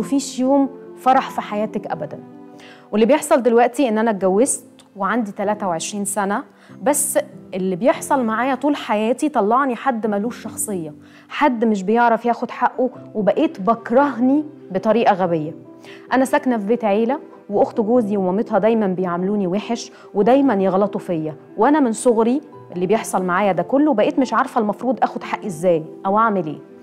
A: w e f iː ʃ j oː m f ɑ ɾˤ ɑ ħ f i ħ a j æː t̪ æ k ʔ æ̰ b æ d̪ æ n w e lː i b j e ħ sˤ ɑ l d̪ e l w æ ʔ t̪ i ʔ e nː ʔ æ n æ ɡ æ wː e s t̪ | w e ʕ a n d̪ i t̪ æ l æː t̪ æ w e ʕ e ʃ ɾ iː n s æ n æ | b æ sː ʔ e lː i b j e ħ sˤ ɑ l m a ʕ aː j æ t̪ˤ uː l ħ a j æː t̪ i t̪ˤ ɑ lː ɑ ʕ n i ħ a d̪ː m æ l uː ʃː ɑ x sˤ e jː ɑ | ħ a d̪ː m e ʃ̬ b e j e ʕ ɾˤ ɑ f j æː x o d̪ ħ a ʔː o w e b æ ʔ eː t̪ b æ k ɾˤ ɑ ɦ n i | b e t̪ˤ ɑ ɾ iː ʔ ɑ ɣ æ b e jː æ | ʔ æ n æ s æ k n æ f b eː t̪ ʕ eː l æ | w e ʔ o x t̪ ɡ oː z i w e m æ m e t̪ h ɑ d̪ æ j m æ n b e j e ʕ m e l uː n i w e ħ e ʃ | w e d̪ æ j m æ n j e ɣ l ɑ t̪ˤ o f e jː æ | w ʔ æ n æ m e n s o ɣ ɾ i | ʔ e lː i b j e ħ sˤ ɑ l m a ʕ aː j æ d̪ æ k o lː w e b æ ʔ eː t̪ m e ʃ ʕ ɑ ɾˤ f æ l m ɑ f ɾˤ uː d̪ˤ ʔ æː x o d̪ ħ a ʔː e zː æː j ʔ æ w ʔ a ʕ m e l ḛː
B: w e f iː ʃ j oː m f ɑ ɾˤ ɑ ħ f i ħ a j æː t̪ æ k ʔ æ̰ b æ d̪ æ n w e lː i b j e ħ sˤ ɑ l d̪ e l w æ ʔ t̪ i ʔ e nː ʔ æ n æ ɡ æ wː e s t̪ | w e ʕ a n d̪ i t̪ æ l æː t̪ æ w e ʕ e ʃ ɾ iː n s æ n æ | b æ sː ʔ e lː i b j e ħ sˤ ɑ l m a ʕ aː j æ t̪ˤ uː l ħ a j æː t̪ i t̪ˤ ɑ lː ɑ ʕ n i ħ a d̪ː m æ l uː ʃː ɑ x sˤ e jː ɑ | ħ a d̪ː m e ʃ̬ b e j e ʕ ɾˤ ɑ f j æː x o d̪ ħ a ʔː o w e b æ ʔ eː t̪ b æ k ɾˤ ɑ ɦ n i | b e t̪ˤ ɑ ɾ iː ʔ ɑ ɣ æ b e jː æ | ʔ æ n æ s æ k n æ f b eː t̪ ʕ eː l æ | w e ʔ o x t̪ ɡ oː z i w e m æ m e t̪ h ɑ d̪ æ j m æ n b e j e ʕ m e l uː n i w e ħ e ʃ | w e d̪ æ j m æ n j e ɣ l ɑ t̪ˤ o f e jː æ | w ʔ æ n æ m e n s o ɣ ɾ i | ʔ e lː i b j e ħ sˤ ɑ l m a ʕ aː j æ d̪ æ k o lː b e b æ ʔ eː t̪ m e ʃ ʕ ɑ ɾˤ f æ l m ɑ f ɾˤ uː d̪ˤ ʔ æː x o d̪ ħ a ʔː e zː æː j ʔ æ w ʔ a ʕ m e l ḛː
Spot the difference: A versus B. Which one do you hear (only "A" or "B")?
A